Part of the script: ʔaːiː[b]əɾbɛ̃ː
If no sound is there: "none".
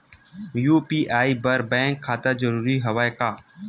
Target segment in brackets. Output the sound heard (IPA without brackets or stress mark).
b